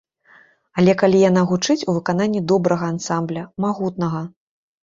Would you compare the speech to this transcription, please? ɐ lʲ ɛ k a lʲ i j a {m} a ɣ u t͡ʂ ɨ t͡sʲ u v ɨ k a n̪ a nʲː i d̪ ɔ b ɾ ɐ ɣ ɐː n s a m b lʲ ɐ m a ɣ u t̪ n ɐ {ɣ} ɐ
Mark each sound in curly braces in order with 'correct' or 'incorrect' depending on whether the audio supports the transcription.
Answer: incorrect: n, correct

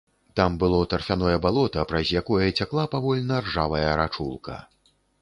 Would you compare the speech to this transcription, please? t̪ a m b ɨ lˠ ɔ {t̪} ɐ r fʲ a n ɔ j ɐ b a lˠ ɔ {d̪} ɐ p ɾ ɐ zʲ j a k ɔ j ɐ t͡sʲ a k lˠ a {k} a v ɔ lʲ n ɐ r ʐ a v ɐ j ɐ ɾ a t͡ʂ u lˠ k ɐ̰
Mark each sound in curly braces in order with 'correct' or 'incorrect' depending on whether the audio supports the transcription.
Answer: correct, incorrect: t̪, incorrect: p

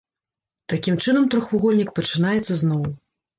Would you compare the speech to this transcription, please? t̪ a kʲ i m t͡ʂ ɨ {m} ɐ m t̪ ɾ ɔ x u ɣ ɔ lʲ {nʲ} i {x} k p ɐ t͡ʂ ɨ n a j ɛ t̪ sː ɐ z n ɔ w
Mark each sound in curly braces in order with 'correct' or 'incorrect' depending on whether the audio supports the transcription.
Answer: incorrect: n, correct, incorrect: none

